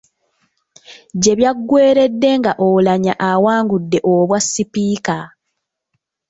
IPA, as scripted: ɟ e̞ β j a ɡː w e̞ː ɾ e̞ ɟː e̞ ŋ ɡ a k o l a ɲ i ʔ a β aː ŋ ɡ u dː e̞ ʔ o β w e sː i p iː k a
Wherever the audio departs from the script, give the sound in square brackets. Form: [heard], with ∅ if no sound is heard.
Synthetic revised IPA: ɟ e̞ β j a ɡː w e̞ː ɾ e̞ [dː] e̞ ŋ ɡ a [ʔ] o l a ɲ [a] ʔ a [w] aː ŋ ɡ u dː e̞ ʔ o β w [a] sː i p iː k a